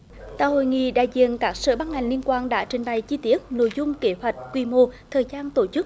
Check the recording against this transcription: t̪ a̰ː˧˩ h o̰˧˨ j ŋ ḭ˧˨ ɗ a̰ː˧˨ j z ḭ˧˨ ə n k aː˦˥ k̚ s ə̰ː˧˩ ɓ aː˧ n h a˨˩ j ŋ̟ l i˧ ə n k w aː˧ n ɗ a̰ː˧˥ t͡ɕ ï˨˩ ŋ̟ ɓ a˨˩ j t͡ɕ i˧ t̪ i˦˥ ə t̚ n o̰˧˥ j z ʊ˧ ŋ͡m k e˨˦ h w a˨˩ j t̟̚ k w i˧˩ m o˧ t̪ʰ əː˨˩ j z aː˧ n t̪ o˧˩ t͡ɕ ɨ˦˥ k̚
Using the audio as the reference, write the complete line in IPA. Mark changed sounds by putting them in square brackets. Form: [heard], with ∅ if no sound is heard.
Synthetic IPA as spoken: t̪ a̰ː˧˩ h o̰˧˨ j ŋ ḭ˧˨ ɗ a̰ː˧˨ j z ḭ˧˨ ə n k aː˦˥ k̚ s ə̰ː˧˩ ɓ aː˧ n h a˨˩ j ŋ̟ l i˧ ə n k w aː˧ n ɗ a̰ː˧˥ t͡ɕ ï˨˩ ŋ̟ ɓ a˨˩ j t͡ɕ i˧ t̪ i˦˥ ə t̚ n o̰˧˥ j z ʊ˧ ŋ͡m k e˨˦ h w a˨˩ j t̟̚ k w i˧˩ m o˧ t̪ʰ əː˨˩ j z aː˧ n t̪ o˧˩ t͡ɕ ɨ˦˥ k̚